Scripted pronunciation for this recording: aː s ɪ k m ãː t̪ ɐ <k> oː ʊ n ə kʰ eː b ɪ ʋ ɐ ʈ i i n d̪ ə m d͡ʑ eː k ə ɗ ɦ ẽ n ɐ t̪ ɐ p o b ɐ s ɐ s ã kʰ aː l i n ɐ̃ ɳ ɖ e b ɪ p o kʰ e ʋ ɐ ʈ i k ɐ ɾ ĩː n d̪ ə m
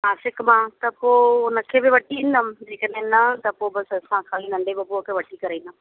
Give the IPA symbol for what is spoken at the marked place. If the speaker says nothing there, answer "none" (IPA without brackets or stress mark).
p